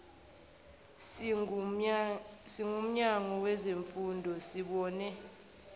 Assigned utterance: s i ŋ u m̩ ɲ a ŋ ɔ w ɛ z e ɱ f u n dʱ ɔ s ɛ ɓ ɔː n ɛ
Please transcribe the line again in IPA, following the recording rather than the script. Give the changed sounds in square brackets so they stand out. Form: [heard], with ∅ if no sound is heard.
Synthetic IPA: s i ŋ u m̩ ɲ a ŋ ɔ w ɛ z e ɱ f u n dʱ ɔ s [i] ɓ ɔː n ɛ